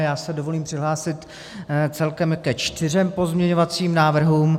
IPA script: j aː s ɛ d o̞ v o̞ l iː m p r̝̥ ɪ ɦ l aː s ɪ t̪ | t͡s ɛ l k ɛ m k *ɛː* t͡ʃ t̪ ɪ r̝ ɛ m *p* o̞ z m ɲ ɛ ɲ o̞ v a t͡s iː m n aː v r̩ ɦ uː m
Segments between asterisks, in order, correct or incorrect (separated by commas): incorrect, correct